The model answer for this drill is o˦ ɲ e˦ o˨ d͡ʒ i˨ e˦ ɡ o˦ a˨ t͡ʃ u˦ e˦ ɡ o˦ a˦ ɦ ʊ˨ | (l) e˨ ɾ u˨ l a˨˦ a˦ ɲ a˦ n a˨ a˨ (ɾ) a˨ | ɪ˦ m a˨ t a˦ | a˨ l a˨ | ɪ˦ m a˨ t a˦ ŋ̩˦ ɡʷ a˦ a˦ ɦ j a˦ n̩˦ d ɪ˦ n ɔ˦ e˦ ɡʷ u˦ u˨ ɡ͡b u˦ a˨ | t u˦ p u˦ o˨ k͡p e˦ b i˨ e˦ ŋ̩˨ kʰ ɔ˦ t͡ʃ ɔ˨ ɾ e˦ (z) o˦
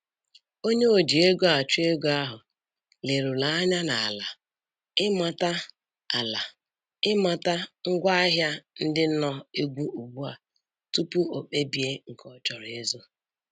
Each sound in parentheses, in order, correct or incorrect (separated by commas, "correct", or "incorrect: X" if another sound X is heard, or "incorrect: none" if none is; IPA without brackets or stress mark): correct, incorrect: l, correct